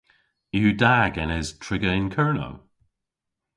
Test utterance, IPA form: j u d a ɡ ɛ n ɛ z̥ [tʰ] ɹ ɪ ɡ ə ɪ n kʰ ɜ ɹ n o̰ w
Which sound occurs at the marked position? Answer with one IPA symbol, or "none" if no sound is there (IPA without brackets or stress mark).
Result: tʰ